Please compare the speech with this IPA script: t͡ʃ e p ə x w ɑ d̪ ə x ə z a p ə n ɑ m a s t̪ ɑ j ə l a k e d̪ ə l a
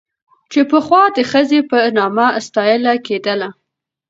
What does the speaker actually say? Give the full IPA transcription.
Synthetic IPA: t͡ʃ e p ə x w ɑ d̪ ə x ə z e p ə n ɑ m a s t̪ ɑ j ə l a k e d̪ ə l a